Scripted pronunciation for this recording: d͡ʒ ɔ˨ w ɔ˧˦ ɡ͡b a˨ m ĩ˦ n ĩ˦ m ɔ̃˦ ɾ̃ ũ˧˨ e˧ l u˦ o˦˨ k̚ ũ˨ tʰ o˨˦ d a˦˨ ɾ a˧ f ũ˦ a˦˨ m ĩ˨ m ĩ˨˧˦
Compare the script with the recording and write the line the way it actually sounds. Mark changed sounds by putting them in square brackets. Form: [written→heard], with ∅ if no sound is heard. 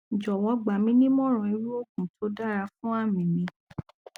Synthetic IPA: d͡ʒ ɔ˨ w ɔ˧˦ ɡ͡b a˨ m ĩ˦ n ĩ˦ m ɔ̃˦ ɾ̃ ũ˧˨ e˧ [l→ɾ] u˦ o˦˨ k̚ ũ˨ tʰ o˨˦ d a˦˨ ɾ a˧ f ũ˦ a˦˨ m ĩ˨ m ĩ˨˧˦